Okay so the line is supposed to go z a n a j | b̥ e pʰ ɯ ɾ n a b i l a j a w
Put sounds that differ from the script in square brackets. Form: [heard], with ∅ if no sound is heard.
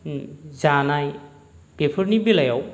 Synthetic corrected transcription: z a n a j | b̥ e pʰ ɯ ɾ n [i] b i l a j a w